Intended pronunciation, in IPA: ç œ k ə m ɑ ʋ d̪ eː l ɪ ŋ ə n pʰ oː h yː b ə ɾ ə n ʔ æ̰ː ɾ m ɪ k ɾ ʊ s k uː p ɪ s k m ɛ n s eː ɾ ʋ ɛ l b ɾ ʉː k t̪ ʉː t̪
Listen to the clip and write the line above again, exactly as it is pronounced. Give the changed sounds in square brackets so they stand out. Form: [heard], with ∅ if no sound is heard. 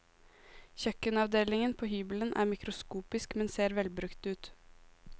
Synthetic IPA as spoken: ç œ k ə [n] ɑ ʋ d̪ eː l ɪ ŋ ə n pʰ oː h yː b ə [l] ə n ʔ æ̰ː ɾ m ɪ k ɾ ʊ s k uː p ɪ s k m ɛ n s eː ɾ ʋ ɛ l b ɾ [ʉ] k t̪ ʉː t̪